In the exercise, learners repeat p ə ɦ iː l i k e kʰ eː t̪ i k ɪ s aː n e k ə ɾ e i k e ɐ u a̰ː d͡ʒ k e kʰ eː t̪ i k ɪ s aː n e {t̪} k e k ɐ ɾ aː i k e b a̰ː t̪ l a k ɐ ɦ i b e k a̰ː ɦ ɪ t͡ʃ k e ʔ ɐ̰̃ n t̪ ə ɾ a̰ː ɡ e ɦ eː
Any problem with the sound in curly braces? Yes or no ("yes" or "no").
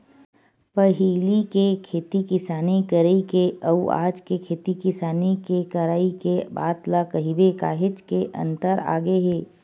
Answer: yes